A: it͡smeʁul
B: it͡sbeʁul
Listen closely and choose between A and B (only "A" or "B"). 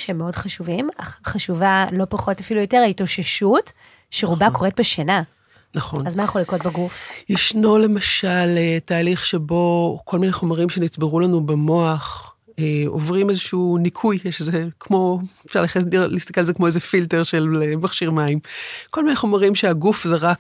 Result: B